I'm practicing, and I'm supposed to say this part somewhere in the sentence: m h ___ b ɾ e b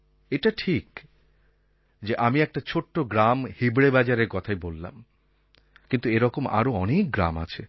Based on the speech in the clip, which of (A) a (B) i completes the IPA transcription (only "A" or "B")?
B